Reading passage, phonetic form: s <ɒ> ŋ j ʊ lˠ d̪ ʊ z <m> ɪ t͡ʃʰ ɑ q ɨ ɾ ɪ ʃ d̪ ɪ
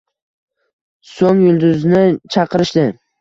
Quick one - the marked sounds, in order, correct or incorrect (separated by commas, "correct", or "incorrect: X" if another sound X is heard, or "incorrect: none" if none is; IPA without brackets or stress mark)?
incorrect: o, incorrect: n